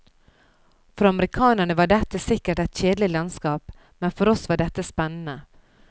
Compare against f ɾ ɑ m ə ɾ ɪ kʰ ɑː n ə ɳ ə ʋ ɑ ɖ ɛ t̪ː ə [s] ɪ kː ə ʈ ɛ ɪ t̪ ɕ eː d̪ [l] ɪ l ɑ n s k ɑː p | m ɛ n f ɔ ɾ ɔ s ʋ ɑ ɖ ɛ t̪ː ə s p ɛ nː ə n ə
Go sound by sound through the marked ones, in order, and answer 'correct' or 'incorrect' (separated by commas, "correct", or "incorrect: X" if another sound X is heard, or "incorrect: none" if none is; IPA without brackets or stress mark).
correct, correct